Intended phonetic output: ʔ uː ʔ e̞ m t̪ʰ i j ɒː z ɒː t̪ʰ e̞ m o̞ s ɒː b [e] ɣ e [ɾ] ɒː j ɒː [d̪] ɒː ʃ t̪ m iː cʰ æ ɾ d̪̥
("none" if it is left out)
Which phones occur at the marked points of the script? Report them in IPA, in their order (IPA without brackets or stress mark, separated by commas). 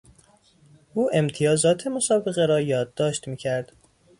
e, ɾ, d̪ː